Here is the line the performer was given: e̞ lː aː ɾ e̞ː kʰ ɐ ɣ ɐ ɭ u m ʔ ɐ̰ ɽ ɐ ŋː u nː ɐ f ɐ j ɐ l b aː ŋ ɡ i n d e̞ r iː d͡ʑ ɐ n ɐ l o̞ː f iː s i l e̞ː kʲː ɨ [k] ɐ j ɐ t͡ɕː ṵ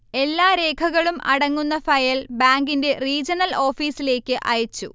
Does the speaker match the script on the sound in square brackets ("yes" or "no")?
no